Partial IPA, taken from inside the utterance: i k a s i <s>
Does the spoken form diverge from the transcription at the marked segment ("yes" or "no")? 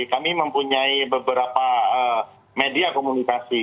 yes